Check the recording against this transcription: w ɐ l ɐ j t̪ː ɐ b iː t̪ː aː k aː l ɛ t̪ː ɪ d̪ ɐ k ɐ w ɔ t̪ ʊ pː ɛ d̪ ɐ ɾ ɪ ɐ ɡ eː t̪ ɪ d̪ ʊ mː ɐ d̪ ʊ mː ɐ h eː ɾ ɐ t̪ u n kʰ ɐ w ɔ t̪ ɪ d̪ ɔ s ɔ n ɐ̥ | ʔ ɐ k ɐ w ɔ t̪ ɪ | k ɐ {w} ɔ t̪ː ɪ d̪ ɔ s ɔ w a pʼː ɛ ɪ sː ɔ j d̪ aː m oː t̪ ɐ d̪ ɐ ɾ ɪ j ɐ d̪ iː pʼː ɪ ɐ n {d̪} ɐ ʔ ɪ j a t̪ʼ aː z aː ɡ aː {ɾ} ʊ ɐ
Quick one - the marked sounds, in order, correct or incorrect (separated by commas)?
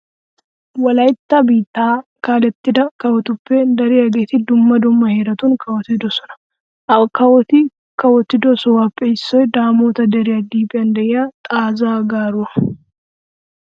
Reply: correct, correct, correct